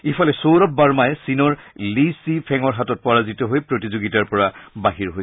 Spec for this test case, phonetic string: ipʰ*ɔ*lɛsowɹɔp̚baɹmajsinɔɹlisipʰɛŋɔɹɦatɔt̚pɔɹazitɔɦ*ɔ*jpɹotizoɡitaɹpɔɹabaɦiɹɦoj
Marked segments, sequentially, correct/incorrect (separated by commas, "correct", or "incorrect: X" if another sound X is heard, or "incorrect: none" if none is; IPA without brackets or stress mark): correct, incorrect: o